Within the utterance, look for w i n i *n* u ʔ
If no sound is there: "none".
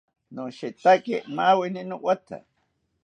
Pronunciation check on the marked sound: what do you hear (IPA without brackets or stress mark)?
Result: n